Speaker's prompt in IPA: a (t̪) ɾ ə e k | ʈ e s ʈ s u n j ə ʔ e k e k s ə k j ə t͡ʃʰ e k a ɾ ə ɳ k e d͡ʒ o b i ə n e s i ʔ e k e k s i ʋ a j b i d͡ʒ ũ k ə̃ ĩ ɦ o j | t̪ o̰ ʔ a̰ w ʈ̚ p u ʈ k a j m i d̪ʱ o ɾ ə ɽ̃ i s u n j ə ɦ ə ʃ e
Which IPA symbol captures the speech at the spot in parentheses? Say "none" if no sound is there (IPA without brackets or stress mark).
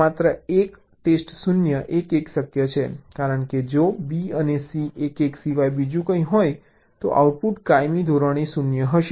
t̪